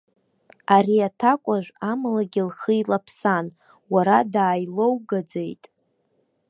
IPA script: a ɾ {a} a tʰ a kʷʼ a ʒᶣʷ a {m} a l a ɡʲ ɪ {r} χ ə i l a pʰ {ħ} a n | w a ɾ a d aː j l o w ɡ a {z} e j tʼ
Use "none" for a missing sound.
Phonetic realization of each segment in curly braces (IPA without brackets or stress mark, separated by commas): i, m, l, s, d͡z